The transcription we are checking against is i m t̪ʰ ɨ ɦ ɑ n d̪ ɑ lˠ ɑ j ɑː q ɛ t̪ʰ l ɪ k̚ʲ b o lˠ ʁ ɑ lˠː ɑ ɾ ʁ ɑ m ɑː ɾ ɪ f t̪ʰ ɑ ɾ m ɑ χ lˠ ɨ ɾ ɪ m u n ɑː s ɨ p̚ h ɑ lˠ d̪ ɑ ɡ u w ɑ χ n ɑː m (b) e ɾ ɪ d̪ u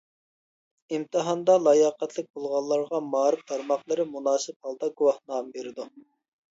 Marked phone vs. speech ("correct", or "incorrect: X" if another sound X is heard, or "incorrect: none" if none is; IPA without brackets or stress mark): correct